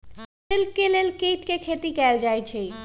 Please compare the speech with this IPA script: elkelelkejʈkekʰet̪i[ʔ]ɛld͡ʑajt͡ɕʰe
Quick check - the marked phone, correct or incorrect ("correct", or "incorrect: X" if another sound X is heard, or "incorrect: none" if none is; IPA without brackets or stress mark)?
incorrect: k